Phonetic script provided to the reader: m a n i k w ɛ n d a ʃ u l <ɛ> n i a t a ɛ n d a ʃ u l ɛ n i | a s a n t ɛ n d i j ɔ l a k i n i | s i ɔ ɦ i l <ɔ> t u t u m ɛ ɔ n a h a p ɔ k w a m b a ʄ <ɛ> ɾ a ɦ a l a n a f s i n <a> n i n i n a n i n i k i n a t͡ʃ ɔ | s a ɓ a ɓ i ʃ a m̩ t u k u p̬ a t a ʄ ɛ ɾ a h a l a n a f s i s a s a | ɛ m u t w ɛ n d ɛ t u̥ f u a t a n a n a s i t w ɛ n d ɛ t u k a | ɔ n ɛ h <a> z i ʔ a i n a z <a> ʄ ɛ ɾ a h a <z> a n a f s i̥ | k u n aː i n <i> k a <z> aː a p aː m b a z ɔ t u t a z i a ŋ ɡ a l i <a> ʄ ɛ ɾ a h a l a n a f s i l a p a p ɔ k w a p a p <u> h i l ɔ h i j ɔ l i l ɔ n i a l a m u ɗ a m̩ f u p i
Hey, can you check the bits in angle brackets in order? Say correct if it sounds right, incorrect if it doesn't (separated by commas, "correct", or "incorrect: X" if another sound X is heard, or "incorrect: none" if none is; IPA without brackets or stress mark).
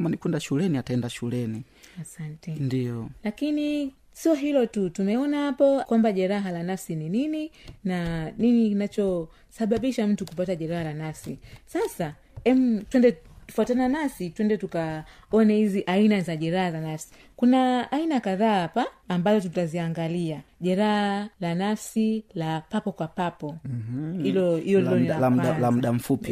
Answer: correct, correct, correct, incorrect: i, incorrect: i, correct, correct, incorrect: a, incorrect: ð, correct, incorrect: ɔ